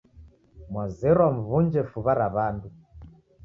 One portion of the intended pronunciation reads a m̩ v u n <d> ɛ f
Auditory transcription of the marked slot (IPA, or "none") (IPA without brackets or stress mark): d͡ʒ